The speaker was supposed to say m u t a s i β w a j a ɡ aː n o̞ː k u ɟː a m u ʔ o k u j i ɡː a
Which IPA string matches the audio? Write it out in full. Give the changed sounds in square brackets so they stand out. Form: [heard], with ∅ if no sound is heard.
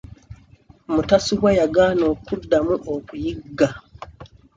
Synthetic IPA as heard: m u t a s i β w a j a ɡ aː n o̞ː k u [dː] a m u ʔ o k u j i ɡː a